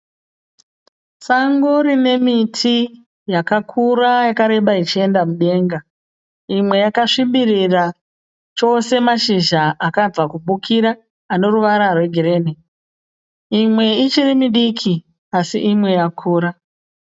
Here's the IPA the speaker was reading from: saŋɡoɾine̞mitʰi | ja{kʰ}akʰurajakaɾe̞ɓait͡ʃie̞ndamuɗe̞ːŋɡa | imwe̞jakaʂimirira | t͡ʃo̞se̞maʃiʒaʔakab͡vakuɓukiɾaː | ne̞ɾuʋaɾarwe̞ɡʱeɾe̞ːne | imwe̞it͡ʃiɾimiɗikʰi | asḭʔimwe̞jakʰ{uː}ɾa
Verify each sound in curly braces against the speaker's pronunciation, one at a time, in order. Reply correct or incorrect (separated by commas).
incorrect, correct